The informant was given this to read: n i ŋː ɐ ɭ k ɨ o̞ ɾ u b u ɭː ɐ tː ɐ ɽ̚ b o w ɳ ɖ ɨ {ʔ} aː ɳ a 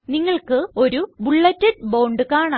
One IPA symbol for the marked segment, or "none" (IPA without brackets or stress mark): k